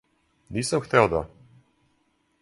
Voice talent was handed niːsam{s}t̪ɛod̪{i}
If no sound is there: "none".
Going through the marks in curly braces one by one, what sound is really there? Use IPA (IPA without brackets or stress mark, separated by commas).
x, a